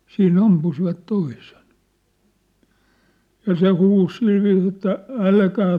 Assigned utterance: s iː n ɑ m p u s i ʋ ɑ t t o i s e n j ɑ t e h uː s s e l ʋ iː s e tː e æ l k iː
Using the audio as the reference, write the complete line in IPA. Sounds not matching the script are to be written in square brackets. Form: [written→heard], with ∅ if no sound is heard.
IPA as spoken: s iː n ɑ m p u s i ʋ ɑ t t o i s e n j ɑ [t→s] e h uː s s [e→i] l ʋ iː s e tː [e→æ] æ l k [iː→æː]